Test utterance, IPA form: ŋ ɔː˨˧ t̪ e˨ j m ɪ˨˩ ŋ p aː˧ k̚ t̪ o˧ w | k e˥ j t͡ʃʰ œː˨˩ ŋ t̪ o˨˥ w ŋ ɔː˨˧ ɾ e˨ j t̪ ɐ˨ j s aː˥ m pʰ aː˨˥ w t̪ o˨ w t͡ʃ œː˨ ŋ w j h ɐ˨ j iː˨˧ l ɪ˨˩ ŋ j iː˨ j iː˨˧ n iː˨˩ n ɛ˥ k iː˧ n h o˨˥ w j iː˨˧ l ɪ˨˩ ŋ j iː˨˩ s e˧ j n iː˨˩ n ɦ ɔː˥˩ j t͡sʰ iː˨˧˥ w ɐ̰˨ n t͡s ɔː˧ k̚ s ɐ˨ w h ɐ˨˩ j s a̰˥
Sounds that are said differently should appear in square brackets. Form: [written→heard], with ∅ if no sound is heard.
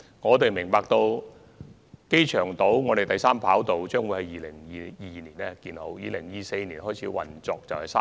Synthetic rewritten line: ŋ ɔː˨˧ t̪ e˨ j m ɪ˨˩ ŋ p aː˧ k̚ t̪ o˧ w | k e˥ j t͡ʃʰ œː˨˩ ŋ t̪ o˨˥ w ŋ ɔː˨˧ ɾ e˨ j t̪ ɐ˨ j s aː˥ m pʰ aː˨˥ w t̪ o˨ w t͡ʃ [œː˨→œː˥] ŋ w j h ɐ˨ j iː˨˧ l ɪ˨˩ ŋ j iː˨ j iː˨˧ n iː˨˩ n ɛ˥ k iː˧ n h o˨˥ w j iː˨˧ l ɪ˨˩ ŋ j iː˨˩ s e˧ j n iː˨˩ n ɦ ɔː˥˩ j t͡sʰ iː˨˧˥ w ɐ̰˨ n t͡s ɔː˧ k̚ [s→t͡s] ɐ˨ w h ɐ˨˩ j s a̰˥